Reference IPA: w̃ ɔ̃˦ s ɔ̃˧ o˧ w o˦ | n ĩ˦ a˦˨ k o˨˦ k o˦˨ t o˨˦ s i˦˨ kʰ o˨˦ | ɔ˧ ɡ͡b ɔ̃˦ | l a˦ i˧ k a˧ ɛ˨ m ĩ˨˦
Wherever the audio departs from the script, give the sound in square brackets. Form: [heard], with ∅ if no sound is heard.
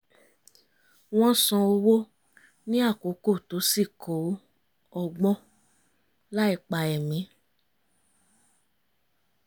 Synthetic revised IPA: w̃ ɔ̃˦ s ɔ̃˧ o˧ w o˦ | n ĩ˦ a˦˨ k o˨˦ k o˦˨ t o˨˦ s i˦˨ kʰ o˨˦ | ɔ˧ ɡ͡b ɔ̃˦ | l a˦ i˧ [k͡p] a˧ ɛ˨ m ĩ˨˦